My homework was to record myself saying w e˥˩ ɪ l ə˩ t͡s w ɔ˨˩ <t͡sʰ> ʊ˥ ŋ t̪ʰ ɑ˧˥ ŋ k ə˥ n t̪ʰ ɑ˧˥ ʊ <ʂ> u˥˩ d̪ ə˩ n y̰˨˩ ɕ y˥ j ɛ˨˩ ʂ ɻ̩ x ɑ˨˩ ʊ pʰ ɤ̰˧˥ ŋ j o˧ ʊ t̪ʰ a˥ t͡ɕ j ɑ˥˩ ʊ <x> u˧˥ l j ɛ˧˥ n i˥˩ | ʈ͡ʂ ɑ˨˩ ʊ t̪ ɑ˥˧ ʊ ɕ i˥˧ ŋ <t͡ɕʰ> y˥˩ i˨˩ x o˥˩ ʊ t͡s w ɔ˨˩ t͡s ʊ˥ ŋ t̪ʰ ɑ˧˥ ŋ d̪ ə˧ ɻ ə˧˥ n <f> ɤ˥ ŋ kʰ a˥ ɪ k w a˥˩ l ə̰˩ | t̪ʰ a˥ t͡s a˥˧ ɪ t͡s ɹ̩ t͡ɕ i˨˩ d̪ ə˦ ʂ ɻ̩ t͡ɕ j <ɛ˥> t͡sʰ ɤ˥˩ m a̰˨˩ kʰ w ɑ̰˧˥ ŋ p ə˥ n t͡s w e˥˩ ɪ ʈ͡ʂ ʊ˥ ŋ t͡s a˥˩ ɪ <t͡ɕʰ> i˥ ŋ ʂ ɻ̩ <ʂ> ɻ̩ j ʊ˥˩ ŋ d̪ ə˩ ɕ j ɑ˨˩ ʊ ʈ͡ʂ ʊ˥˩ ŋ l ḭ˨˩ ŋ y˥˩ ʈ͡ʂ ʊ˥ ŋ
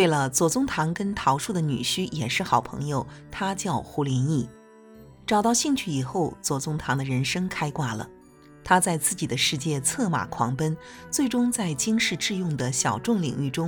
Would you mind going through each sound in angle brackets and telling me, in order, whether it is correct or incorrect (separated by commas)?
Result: incorrect, correct, correct, correct, incorrect, incorrect, incorrect, incorrect